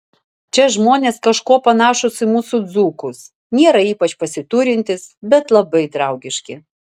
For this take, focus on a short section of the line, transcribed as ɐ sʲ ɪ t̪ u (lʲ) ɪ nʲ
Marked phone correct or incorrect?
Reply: incorrect: ɾʲ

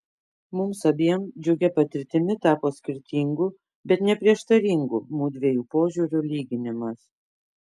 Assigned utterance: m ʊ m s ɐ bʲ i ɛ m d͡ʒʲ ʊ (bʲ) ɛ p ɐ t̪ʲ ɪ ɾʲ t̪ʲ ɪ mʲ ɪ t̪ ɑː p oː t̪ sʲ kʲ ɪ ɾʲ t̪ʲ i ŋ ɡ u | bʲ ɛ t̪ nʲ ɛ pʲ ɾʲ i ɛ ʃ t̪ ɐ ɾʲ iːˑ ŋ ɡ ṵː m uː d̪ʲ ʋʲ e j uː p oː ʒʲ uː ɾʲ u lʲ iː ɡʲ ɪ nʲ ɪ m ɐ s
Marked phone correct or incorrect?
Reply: incorrect: ɡʲ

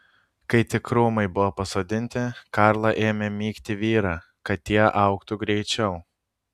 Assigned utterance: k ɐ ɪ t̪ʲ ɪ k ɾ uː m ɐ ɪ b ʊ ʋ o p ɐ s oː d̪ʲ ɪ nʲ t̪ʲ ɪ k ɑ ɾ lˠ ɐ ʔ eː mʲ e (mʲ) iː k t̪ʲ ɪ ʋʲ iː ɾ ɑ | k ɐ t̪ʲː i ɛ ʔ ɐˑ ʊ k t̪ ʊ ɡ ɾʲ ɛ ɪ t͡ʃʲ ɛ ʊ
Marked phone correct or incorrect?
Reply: correct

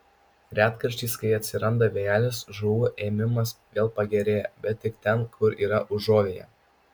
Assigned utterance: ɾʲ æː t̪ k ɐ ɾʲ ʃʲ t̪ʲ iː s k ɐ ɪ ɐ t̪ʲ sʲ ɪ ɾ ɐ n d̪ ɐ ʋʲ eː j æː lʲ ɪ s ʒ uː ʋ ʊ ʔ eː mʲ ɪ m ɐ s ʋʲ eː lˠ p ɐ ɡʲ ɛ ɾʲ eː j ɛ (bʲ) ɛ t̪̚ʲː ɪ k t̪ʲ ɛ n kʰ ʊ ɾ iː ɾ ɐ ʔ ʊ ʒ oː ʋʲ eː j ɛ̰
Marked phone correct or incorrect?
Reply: correct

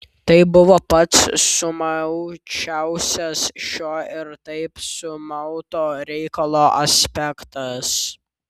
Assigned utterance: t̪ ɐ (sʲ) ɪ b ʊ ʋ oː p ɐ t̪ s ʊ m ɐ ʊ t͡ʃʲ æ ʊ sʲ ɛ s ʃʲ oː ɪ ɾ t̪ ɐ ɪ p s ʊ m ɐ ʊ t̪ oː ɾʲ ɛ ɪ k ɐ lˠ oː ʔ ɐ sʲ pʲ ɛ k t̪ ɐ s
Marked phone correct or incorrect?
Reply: incorrect: none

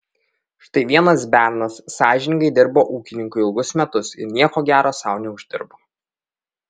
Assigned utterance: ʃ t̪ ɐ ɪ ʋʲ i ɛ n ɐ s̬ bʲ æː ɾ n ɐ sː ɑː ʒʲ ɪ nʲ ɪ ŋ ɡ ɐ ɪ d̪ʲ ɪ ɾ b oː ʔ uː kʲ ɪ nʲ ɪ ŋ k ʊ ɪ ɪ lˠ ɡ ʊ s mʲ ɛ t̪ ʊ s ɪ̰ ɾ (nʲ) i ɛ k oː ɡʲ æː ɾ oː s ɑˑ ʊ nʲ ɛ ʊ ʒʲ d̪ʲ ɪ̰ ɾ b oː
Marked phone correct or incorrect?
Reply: correct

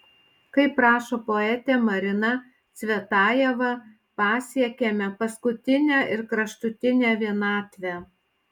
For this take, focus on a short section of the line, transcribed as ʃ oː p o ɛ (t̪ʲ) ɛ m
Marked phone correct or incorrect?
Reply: correct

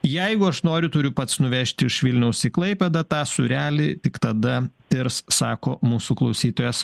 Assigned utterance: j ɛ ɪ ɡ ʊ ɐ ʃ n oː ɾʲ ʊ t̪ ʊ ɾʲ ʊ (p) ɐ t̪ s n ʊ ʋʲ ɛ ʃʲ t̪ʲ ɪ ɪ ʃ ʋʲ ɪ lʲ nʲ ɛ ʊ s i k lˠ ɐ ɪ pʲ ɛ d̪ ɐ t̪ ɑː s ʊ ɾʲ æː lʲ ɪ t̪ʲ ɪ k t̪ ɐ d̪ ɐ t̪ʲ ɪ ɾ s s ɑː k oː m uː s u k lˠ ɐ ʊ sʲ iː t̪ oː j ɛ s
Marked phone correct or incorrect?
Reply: correct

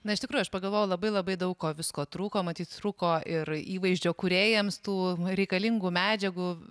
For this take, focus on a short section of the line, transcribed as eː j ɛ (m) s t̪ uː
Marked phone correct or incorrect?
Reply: correct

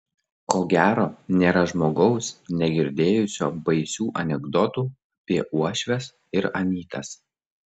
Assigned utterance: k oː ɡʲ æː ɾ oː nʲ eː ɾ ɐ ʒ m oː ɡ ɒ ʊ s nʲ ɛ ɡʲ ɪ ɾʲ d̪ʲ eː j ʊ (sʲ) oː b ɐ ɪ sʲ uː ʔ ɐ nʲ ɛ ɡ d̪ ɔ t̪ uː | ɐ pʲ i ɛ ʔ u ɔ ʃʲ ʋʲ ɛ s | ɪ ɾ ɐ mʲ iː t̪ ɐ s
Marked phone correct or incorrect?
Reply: correct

